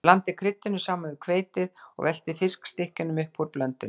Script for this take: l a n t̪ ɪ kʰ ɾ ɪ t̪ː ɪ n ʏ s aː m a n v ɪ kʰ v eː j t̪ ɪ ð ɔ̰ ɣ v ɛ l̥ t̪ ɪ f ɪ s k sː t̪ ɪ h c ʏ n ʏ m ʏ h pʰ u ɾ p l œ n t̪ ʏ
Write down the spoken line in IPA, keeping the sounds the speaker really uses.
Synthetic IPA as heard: l a n t̪ ɪ kʰ ɾ ɪ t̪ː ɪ n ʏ s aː m a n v ɪ kʰ v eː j t̪ ɪ ð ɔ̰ ɣ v ɛ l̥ t̪ ɪ f ɪ s k s t̪ ɪ h c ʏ n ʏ m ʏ h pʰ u ɾ p l œ n t̪ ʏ